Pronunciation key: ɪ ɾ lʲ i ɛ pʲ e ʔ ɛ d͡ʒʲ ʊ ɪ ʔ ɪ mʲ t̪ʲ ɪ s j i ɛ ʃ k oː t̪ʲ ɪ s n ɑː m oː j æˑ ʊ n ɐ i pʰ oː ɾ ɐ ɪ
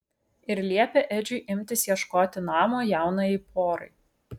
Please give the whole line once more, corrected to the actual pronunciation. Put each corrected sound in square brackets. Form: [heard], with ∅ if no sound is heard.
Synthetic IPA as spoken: ɪ ɾ lʲ i ɛ pʲ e ʔ ɛ d͡ʒʲ ʊ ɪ ʔ ɪ mʲ t̪ʲ ɪ s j i ɛ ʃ k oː t̪ʲ ɪ [∅] n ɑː m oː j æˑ ʊ n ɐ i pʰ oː ɾ ɐ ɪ